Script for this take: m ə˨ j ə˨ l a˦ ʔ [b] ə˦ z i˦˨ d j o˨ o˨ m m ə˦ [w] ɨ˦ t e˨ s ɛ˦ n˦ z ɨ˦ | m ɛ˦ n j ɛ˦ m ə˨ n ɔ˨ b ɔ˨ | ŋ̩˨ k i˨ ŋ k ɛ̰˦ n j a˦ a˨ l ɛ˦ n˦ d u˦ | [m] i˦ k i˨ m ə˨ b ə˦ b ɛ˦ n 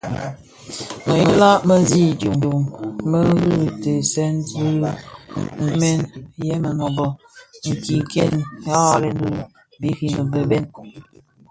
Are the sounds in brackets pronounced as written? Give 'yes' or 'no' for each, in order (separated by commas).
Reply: no, no, no